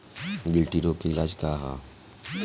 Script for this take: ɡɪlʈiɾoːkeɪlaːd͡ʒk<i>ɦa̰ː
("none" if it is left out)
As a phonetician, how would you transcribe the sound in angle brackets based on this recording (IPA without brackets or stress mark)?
a